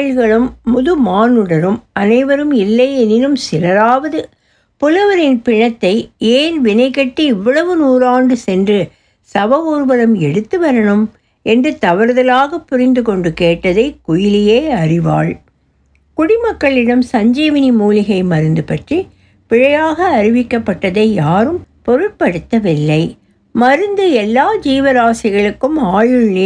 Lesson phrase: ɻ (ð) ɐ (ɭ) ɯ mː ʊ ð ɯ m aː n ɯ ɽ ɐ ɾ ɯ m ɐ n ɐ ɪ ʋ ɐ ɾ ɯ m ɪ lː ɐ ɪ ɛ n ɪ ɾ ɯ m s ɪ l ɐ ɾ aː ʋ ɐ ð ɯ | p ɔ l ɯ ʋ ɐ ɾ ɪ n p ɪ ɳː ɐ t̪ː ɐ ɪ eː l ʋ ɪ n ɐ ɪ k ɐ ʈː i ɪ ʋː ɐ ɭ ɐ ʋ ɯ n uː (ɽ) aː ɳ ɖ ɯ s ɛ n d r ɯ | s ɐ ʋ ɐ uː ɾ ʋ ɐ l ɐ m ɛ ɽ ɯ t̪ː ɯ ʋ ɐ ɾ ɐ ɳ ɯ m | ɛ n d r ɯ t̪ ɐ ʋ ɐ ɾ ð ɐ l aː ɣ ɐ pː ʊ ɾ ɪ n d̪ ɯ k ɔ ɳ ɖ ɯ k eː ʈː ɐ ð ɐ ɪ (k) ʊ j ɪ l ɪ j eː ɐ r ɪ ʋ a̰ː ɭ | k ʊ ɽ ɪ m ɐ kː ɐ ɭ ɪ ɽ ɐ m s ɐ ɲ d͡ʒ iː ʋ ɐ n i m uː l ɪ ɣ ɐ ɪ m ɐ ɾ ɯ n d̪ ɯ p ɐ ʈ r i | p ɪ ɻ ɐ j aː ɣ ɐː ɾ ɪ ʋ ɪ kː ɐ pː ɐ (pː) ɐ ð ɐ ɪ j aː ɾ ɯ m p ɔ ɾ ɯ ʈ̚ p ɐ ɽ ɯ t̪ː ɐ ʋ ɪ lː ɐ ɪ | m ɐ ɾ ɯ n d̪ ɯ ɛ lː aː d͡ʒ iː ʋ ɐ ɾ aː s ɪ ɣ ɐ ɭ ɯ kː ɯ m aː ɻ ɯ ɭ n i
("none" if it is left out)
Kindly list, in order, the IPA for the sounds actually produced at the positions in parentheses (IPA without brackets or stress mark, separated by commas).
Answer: ɣ, ɭ, ɾ, k, ʈː